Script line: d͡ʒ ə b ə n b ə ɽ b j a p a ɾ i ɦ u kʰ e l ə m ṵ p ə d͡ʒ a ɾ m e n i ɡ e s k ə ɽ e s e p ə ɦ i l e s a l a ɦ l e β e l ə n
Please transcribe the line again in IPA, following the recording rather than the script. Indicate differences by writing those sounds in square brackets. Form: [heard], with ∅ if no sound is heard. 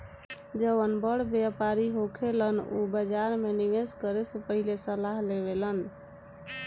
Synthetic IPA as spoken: d͡ʒ ə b ə n b ə ɽ b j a p a ɾ i ɦ [o] kʰ e l ə [n] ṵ [b] ə d͡ʒ a ɾ m e n i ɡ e s k ə [ɾ] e s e p ə ɦ i l e s [ə] l a ɦ l e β e l ə n